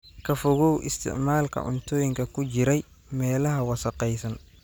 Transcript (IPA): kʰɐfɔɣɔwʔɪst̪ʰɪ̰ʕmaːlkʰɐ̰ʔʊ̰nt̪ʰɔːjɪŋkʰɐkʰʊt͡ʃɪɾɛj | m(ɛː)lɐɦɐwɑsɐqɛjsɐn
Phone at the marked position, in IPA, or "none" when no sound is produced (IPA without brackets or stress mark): ɛː